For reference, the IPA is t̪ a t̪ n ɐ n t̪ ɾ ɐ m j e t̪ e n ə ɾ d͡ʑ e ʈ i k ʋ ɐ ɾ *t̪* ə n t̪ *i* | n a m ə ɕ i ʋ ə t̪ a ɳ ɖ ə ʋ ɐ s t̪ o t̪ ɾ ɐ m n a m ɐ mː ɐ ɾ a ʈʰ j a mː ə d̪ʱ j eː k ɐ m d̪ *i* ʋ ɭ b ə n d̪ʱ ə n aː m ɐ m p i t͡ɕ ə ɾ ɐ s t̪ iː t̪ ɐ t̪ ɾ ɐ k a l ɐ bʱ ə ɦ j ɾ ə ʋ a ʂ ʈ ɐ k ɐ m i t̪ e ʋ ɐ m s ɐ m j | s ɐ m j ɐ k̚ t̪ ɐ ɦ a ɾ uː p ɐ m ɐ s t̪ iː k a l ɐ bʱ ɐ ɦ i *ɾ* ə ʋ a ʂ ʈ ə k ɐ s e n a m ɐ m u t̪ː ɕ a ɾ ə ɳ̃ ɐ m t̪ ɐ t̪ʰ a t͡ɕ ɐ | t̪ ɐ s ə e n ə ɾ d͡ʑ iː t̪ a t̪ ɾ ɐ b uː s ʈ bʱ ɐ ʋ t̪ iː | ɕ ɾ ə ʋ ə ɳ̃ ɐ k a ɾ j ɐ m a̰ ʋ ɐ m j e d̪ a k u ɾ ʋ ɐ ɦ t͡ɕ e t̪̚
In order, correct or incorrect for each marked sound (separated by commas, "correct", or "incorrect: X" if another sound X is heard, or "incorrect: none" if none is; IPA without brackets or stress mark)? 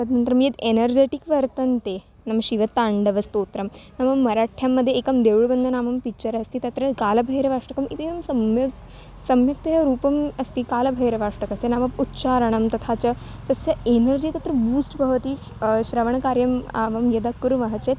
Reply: correct, incorrect: e, incorrect: e, correct